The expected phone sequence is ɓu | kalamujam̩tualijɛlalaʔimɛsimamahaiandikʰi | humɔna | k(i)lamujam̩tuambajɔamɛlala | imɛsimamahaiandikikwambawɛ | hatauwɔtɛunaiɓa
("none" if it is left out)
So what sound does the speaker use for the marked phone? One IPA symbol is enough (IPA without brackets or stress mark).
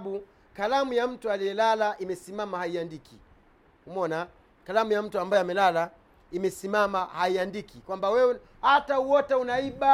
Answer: a